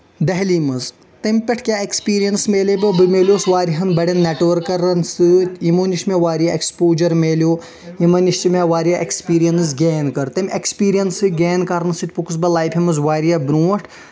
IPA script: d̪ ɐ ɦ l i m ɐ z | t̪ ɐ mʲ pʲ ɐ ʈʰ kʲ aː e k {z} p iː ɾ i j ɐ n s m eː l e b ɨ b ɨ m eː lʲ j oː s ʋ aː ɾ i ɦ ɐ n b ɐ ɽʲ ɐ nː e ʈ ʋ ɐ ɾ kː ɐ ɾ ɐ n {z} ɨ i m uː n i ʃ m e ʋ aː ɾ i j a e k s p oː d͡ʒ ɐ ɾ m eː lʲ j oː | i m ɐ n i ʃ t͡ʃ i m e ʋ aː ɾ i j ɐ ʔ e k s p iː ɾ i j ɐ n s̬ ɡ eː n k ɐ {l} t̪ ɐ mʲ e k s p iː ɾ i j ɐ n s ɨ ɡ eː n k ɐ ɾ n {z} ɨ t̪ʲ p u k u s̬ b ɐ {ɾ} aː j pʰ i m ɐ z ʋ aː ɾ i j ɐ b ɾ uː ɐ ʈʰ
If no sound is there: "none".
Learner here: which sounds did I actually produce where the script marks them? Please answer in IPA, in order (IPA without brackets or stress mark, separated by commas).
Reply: s, s, ɾ, s, l